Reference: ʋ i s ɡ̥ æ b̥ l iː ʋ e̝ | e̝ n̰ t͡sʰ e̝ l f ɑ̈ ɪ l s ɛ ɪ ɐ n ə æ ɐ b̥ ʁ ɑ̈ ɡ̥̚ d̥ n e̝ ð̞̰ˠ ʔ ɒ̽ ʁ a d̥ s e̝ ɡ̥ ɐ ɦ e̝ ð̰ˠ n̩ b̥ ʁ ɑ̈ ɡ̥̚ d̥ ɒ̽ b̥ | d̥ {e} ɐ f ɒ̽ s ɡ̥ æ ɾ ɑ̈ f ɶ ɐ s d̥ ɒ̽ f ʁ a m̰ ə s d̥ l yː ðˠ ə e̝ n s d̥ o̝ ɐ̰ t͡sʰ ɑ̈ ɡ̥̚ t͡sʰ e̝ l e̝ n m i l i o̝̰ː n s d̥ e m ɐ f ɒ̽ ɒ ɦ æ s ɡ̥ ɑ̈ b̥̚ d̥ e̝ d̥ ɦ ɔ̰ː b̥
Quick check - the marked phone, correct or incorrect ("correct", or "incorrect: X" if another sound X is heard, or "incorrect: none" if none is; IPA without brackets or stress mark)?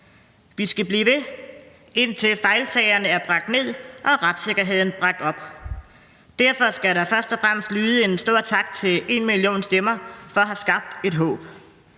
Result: incorrect: æ